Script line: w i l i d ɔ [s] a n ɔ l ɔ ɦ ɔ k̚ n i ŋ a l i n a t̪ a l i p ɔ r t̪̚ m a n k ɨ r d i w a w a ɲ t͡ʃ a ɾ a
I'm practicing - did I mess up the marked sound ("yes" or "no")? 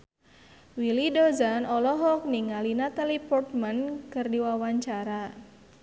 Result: yes